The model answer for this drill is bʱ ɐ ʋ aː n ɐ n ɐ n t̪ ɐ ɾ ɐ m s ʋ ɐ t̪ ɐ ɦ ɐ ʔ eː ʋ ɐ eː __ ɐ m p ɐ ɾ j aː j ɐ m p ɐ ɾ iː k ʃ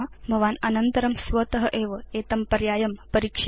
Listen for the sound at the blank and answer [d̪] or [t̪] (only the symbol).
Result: t̪